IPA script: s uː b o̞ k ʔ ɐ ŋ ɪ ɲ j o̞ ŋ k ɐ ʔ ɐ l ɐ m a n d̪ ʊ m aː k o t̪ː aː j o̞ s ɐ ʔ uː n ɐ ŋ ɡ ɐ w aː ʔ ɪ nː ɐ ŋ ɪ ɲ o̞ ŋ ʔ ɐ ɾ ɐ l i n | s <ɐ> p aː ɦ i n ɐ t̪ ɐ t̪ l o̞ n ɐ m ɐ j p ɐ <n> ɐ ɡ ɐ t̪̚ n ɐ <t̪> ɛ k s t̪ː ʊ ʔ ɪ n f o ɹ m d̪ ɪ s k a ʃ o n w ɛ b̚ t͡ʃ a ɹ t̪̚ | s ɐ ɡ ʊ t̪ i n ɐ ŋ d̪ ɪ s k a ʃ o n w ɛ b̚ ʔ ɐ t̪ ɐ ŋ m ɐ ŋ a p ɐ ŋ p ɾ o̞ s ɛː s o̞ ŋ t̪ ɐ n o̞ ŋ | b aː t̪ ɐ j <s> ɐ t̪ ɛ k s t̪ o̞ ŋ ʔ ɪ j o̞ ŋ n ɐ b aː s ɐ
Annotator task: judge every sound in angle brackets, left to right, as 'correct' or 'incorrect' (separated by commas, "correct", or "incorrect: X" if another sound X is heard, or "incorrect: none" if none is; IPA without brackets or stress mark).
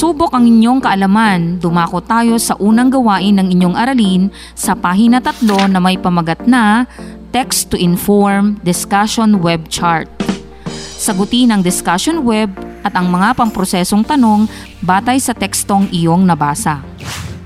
correct, incorrect: m, correct, correct